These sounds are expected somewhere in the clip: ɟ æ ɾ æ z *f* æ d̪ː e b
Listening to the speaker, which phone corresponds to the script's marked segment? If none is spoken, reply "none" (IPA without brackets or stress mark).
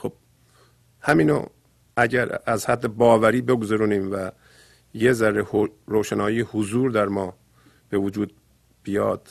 h